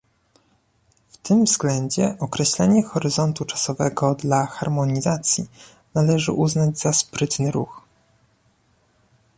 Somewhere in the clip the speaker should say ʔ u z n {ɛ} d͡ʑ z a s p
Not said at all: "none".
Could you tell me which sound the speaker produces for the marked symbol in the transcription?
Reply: a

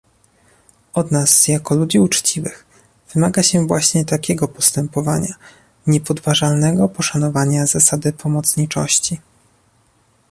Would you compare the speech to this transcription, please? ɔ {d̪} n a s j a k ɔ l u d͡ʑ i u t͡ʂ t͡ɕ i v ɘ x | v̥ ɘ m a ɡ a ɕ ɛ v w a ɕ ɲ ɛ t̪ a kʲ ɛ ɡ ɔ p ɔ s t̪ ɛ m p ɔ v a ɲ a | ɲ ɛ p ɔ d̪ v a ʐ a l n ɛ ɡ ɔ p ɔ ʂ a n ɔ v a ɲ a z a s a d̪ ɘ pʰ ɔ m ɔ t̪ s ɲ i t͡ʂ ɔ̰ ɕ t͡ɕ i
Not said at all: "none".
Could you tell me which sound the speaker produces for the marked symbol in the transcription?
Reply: d̪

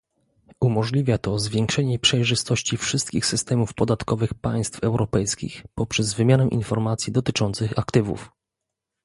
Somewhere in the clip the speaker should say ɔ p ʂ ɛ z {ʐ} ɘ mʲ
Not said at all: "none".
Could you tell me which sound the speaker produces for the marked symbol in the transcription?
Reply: v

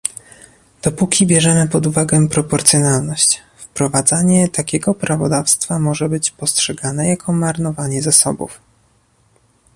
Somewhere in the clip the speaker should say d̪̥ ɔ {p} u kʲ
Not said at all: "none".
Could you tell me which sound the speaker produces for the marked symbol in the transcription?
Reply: p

